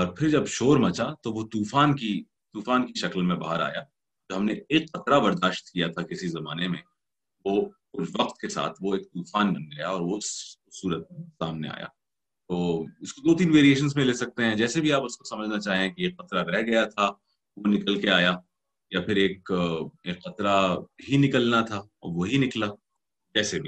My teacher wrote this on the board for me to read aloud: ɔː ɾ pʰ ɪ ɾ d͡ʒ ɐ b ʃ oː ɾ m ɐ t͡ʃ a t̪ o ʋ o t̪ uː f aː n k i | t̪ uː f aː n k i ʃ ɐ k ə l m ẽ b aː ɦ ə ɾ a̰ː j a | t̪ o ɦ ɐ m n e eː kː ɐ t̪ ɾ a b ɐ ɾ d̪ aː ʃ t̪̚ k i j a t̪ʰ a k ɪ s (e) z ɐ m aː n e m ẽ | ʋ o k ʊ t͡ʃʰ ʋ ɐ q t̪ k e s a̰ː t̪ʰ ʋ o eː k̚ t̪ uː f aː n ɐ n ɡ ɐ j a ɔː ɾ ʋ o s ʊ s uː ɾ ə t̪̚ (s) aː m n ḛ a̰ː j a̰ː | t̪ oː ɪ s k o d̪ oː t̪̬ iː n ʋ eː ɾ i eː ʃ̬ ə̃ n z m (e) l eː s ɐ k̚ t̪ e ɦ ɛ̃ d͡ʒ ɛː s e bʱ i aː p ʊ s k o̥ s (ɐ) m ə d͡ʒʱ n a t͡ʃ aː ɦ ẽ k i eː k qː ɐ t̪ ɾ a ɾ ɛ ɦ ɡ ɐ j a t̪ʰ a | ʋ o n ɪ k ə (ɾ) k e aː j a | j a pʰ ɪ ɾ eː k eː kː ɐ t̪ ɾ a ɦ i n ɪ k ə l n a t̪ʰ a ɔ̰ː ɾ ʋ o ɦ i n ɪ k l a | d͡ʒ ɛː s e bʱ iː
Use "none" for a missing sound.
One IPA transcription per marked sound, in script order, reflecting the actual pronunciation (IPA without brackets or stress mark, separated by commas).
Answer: i, s, ẽ, ɐ, l